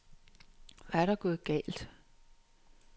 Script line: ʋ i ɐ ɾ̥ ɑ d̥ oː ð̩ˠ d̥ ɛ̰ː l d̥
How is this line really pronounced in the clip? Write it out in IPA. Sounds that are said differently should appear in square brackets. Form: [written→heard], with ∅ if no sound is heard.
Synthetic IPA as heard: ʋ [i→æ] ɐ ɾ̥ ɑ [d̥→ɡ̥] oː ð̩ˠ [d̥→ɡ̥] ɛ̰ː l d̥